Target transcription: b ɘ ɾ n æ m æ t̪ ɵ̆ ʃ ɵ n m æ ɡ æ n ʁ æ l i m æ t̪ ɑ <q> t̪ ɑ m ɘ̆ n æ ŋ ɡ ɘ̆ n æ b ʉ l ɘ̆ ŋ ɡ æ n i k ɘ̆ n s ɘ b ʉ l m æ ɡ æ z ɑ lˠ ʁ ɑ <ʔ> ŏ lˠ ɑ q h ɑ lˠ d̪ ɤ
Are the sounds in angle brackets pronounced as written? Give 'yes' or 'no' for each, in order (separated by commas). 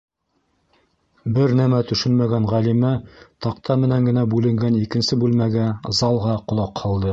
yes, no